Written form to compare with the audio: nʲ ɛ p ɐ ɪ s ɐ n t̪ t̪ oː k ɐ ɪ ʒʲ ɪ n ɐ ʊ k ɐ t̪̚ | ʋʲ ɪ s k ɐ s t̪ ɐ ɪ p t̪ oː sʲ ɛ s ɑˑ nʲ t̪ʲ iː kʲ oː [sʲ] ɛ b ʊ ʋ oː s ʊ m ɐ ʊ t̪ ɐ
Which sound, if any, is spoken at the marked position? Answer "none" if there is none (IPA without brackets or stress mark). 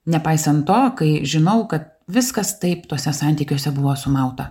sʲ